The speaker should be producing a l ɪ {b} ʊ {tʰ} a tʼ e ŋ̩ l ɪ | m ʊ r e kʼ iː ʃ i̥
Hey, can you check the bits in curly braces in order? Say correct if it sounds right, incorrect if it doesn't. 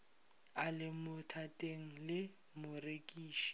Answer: incorrect: m, correct

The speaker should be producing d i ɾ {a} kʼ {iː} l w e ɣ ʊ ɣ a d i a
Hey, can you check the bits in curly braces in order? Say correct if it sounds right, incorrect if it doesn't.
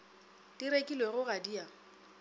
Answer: incorrect: e, incorrect: i

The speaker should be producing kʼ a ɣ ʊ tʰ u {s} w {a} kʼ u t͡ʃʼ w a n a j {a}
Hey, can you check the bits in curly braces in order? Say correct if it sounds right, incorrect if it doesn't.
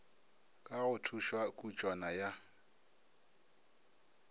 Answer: incorrect: ʃ, correct, correct

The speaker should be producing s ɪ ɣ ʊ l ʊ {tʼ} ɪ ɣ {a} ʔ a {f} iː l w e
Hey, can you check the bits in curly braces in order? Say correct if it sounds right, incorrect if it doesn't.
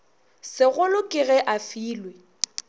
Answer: incorrect: kʼ, incorrect: ɛ, correct

